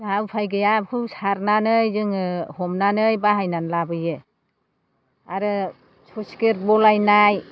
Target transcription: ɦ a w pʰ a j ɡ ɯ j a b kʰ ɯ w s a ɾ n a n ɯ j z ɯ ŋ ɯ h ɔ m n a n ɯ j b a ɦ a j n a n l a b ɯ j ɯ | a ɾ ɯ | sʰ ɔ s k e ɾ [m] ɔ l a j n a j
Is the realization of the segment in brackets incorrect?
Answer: yes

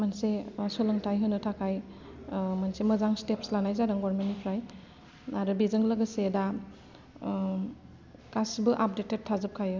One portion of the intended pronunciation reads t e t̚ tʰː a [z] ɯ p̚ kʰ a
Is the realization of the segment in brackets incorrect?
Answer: no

